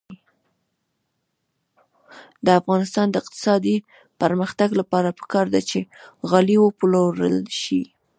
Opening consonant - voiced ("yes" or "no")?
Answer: yes